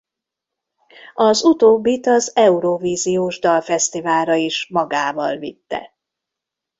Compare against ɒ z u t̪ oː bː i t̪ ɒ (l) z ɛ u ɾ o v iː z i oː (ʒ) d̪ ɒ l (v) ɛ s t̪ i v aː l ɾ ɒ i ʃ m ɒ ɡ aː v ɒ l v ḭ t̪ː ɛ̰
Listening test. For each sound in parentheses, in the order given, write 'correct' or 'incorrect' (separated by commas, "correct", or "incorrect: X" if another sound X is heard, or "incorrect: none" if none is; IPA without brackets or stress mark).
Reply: incorrect: none, correct, incorrect: f